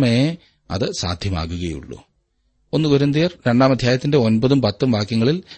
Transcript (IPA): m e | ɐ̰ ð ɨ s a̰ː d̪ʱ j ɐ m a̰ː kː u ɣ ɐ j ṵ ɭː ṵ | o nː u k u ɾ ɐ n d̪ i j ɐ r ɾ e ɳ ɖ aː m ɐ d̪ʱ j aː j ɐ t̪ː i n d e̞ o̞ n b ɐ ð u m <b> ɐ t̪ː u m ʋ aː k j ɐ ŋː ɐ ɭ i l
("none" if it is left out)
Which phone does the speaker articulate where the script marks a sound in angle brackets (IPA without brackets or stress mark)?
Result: p